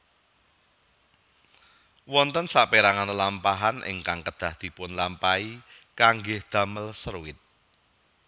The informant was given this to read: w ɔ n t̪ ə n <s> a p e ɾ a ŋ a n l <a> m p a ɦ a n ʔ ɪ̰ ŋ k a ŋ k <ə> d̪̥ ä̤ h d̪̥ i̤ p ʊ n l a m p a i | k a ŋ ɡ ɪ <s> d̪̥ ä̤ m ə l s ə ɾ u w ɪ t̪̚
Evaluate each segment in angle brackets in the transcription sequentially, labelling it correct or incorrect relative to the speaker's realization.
correct, correct, correct, incorrect: h

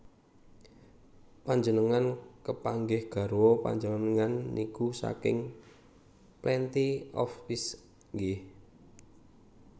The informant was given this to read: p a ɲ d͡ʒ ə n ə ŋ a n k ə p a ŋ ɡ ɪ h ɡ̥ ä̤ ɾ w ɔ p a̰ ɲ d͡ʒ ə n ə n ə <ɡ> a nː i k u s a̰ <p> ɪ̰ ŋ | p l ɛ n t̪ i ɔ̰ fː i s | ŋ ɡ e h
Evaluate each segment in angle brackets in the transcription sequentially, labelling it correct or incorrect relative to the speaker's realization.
incorrect: ŋ, incorrect: k

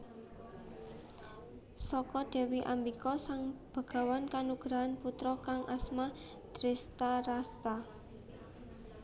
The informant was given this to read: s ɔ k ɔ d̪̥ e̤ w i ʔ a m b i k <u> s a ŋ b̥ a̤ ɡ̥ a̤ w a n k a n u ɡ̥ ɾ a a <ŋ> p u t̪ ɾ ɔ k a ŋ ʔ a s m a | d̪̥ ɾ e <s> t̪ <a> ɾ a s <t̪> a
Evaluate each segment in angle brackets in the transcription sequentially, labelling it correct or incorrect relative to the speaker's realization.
incorrect: ɔ, incorrect: n, correct, correct, correct

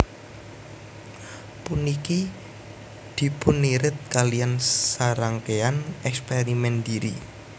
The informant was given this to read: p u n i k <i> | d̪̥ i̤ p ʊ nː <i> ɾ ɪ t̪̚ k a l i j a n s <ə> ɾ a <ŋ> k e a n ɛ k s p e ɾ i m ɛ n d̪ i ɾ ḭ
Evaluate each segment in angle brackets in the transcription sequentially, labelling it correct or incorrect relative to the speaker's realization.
correct, correct, incorrect: a, correct

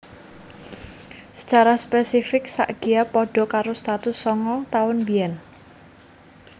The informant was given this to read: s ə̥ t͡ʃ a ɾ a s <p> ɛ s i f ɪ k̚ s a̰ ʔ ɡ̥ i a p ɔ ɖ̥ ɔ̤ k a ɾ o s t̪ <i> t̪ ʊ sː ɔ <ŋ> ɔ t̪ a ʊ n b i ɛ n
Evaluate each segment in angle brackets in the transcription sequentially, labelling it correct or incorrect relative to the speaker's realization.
correct, incorrect: a, correct

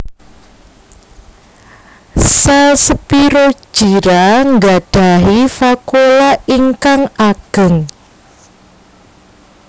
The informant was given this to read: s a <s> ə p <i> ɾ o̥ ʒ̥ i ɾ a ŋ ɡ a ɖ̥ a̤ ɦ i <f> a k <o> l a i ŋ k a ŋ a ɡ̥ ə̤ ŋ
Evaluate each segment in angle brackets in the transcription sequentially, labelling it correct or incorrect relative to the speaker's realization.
correct, correct, correct, correct

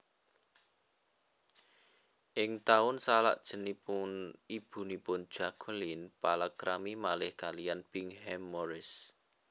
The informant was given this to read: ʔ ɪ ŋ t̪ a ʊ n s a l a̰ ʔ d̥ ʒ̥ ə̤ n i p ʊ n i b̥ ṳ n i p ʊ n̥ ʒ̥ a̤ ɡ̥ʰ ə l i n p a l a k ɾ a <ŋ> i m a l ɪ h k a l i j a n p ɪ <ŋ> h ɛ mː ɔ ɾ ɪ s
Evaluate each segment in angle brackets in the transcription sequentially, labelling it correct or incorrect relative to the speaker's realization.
incorrect: m, correct

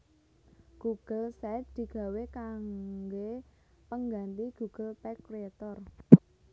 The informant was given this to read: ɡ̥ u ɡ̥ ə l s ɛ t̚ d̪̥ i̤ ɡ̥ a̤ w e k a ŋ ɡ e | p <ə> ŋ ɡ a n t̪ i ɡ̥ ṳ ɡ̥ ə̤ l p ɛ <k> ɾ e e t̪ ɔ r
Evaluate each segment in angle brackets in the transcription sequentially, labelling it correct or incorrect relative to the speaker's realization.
correct, correct

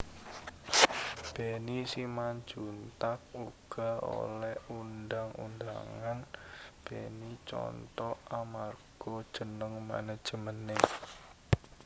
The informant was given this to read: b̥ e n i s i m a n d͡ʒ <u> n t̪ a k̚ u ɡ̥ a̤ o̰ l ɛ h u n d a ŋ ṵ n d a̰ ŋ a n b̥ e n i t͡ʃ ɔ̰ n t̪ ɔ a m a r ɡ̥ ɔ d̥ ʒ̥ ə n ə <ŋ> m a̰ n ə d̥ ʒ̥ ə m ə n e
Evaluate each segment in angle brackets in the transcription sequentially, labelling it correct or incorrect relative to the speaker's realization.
correct, correct

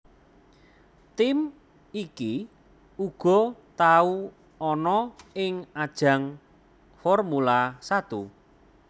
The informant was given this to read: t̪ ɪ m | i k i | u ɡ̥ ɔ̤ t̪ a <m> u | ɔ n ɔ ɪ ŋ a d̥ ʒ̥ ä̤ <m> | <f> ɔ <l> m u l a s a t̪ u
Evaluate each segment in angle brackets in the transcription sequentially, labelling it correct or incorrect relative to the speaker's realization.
incorrect: none, incorrect: ŋ, correct, incorrect: r

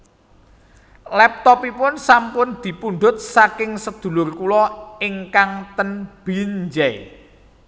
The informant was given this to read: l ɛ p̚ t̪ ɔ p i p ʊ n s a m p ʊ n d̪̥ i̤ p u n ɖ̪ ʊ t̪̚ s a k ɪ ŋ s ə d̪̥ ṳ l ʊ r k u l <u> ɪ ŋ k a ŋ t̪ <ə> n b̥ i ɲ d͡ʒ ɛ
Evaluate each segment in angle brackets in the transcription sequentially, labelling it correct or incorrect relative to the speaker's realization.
incorrect: ɔ, correct

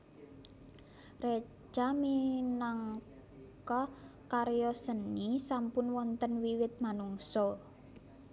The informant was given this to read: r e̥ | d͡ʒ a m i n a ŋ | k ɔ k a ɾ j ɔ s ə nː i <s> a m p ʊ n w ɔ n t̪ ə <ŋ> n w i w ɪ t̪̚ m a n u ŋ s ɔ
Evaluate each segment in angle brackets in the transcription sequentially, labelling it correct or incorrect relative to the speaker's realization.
correct, incorrect: none

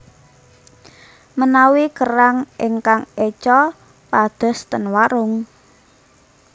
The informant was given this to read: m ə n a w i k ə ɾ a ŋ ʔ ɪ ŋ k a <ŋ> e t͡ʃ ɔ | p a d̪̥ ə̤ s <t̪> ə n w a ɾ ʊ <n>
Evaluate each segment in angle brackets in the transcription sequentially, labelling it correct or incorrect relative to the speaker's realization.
correct, correct, incorrect: ŋ

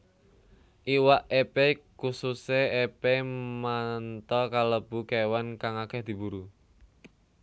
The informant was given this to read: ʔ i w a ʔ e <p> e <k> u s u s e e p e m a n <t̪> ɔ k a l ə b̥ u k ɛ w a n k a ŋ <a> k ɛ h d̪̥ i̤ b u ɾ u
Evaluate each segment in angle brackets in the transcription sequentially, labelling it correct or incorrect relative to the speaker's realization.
correct, correct, correct, correct

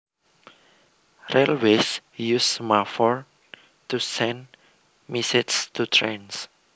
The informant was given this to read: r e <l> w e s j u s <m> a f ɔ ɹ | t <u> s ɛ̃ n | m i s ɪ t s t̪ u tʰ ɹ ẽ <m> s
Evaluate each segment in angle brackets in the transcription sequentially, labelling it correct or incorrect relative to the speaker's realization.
correct, correct, correct, incorrect: n

